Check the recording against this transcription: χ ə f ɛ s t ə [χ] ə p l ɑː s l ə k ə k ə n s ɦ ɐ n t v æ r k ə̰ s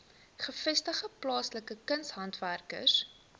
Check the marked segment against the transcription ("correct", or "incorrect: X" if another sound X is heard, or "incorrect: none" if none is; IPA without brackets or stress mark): correct